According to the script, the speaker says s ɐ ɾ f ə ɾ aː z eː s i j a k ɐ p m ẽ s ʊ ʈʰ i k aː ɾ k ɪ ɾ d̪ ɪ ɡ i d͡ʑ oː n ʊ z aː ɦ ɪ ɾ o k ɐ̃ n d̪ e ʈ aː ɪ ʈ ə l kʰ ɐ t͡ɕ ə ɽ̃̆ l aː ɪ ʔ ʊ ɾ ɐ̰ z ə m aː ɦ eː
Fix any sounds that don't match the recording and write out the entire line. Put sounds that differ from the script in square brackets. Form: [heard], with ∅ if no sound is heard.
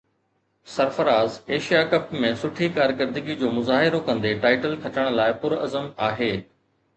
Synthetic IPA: s ɐ ɾ f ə ɾ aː z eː [ʃ] i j a k ɐ p m ẽ s ʊ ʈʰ i k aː ɾ k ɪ ɾ d̪ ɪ ɡ i d͡ʑ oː [m] ʊ z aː ɦ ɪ ɾ o k ɐ̃ n d̪ e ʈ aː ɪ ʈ ə l kʰ ɐ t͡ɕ ə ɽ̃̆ l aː ɪ [p] ʊ ɾ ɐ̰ z ə m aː ɦ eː

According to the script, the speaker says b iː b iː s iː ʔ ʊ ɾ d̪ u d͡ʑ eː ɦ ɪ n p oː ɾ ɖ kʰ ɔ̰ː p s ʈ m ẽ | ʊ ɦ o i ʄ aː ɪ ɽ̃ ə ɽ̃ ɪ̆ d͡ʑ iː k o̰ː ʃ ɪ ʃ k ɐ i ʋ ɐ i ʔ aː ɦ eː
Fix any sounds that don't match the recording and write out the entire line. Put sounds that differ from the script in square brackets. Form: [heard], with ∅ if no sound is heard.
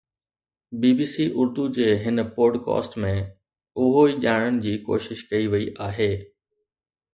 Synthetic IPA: b iː b iː s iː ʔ ʊ ɾ d̪ u d͡ʑ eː ɦ ɪ n p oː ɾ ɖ [k] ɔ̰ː [∅] s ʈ m ẽ | ʊ ɦ o i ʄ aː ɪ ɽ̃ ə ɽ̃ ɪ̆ d͡ʑ iː k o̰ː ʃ ɪ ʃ k ɐ i ʋ ɐ i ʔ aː ɦ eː

